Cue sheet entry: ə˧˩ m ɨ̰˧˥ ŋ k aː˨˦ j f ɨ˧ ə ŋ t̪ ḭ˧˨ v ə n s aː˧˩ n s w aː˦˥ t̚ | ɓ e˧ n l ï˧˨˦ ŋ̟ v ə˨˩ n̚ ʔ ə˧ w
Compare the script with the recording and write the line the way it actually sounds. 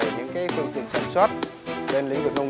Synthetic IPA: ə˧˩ ɲ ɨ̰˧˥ ŋ k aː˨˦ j f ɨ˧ ə ŋ t̪ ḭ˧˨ ə n s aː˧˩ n s w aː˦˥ t̚ | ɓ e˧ n l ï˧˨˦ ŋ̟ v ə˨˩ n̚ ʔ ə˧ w